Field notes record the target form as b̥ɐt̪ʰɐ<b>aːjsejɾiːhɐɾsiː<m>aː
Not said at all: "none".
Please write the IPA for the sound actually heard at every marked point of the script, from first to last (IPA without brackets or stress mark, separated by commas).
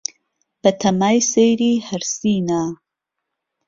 m, n